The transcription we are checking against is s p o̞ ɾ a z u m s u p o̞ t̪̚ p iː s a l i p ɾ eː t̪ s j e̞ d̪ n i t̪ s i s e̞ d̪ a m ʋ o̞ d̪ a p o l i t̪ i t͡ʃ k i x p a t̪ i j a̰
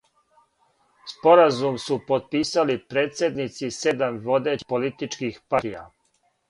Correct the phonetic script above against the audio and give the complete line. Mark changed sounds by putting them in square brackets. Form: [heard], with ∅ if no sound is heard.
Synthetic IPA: s p o̞ ɾ a z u m s u p o̞ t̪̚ p iː s a l i p ɾ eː t̪ s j e̞ d̪ n i t̪ s i s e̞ d̪ a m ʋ o̞ d̪ [e] p o l i t̪ i t͡ʃ k i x p a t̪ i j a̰